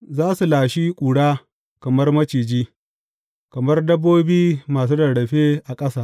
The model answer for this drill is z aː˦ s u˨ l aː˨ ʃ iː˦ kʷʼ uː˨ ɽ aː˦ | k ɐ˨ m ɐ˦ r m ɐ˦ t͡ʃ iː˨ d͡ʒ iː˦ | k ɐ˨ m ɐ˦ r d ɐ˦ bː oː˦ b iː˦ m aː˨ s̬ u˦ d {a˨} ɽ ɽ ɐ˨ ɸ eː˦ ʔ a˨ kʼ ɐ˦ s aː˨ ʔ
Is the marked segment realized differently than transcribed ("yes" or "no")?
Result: yes